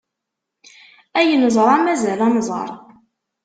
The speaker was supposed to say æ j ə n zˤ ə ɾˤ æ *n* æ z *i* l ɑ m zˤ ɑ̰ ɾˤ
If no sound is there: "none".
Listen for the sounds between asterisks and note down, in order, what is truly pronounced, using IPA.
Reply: m, æ

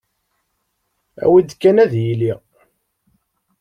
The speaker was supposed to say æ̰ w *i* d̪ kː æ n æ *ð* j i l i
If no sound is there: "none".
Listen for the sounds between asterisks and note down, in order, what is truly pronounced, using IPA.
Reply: i, ð

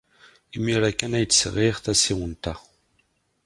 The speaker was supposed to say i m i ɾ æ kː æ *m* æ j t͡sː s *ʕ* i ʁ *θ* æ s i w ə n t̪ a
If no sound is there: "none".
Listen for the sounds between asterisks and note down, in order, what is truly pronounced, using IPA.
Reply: n, ʁ, θ

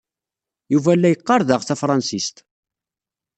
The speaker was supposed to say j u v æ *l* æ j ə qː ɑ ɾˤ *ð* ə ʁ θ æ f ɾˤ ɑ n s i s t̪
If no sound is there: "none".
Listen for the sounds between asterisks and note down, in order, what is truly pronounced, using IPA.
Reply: lː, ð

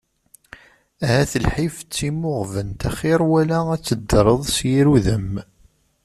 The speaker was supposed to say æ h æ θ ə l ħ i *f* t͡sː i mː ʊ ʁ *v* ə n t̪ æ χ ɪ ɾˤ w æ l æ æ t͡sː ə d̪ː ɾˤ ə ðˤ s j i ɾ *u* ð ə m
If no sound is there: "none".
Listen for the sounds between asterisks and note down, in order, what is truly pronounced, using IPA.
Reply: f, v, u

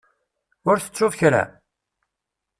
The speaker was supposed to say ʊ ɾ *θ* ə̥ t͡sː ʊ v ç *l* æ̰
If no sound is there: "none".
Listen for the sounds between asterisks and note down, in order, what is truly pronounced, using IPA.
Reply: θ, ɾ

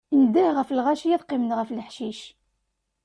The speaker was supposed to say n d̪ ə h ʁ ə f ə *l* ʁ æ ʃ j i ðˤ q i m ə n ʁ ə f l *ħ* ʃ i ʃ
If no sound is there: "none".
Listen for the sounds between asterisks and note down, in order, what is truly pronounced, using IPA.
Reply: l, ħ

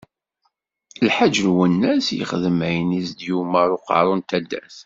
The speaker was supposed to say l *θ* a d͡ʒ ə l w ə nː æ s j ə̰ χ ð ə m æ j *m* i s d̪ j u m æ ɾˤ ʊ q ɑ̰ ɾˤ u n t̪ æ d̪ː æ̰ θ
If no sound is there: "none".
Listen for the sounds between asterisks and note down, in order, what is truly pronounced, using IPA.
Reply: ħ, n

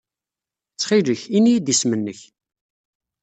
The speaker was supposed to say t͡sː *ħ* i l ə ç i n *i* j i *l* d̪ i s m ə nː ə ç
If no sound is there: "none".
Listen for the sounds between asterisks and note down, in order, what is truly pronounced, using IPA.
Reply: χ, i, none

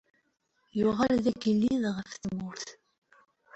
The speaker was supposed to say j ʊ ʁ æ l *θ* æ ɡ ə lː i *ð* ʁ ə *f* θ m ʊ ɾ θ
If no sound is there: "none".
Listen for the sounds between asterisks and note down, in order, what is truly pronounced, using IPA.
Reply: ð, ð, f

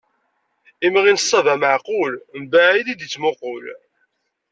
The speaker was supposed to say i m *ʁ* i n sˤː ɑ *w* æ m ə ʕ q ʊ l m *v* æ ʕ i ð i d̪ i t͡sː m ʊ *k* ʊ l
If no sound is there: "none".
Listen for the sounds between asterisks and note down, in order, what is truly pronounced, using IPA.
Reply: ʁ, v, b, q

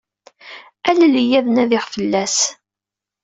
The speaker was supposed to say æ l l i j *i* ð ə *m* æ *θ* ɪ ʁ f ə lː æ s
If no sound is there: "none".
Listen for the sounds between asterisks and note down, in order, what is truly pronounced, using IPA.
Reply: æ, n, ð

